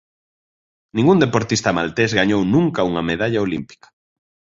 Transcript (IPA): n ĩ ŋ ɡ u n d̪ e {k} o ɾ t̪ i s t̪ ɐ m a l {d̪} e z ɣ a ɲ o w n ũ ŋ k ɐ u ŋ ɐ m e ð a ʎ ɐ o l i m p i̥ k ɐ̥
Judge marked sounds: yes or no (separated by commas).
no, no